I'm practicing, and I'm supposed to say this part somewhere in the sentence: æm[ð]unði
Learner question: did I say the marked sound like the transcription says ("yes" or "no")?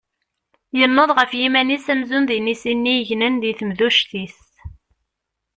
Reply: no